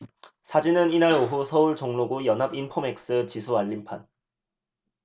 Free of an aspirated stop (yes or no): no